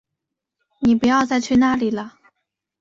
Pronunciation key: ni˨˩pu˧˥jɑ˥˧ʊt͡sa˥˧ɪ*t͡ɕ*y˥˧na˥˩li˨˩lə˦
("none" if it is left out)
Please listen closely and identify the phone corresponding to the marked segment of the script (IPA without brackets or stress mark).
t͡ɕʰ